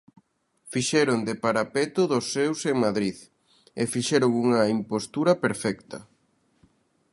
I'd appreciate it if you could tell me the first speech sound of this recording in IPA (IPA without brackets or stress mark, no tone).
f